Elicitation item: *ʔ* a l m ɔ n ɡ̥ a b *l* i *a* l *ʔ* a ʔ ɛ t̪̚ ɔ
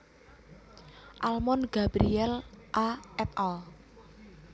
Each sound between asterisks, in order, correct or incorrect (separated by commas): correct, incorrect, incorrect, correct